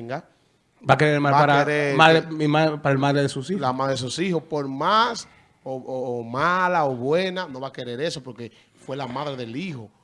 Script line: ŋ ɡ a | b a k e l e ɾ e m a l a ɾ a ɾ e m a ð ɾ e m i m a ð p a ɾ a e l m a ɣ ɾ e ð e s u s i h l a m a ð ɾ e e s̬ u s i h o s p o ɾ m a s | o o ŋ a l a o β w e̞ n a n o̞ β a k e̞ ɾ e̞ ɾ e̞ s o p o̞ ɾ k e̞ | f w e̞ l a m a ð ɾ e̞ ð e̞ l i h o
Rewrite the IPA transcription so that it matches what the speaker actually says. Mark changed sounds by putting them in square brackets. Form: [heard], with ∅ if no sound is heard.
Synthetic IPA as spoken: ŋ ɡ a | b a k e [ɾ] e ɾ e m a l a ɾ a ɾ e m a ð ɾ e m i m a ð p a ɾ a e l m a [ð] ɾ e ð e s u s i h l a m a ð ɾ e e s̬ u s i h o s p o ɾ m a s | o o [m] a l a o β w e̞ n a n o̞ β a k e̞ ɾ e̞ ɾ e̞ s o p o̞ ɾ k e̞ | f w e̞ l a m a ð ɾ e̞ ð e̞ l i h o